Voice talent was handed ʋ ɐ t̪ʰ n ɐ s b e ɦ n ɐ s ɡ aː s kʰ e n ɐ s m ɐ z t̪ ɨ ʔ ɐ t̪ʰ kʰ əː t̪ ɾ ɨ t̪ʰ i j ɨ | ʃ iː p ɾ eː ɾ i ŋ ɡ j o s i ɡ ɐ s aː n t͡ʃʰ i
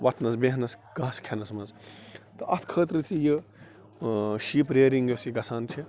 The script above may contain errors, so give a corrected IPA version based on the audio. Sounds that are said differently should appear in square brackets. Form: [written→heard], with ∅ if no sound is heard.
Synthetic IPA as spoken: ʋ ɐ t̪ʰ n ɐ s b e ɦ n ɐ s ɡ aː s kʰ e n ɐ s m ɐ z t̪ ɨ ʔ ɐ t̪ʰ kʰ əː t̪ ɾ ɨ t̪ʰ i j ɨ | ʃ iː p ɾ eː ɾ i ŋ ɡ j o s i ɡ ɐ s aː n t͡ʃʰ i